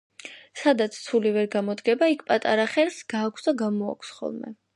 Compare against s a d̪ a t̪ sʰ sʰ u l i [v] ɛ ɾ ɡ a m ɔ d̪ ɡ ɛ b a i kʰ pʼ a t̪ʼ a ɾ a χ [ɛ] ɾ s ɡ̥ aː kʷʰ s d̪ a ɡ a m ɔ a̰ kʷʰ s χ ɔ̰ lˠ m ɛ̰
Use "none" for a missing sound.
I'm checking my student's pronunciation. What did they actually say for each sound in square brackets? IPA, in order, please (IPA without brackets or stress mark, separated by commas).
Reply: v, ɛ